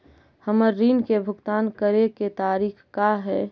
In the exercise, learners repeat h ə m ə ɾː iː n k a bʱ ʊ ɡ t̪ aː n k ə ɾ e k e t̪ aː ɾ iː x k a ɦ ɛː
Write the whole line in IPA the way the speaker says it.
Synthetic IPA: h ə m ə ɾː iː n k e bʱ ʊ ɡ t̪ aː n k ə ɾ e k e t̪ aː ɾ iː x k a ɦ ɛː